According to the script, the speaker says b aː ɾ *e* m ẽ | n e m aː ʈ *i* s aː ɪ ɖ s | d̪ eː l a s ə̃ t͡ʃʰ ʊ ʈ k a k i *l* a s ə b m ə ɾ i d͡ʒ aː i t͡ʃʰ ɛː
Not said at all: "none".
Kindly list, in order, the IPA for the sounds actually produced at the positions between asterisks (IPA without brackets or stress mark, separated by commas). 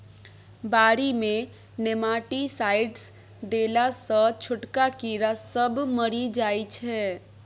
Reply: i, i, ɾ